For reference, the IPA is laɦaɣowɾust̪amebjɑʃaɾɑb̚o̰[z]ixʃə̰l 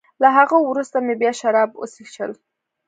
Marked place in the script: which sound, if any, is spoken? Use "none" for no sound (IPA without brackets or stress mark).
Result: s